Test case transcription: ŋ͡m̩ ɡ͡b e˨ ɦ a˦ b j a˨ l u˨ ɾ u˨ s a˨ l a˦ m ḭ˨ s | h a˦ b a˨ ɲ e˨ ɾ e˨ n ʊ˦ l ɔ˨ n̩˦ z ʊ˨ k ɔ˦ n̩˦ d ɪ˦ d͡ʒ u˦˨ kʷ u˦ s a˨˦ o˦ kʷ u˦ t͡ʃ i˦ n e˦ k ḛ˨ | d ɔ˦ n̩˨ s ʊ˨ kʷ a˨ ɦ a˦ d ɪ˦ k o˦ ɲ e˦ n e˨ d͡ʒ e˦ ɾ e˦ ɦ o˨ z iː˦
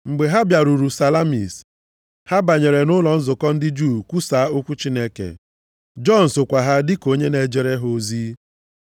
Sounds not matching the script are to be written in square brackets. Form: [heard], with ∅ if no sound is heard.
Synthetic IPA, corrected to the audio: ŋ͡m̩ ɡ͡b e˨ ɦ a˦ b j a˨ [ɾ] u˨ ɾ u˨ s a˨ l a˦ m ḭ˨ s | h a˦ b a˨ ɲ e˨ ɾ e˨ n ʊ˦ l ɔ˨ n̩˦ z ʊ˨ k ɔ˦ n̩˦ d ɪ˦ d͡ʒ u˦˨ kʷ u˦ s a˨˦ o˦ kʷ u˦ t͡ʃ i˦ n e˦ k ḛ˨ | [d͡ʒ] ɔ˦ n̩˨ s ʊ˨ kʷ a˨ ɦ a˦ d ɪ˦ k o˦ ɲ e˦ n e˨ d͡ʒ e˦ ɾ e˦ ɦ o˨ z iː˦